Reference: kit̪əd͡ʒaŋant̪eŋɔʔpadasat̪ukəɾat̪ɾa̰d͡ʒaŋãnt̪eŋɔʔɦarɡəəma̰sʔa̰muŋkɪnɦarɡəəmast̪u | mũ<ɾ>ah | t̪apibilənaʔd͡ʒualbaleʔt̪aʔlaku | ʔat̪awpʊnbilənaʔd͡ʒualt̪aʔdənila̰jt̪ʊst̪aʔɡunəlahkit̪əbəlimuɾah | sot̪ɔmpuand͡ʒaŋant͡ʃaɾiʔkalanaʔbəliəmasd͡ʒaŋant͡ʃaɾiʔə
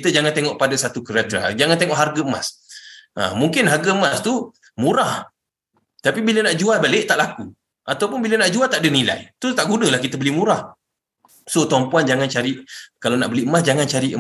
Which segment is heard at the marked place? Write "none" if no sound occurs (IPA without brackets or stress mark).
ɾ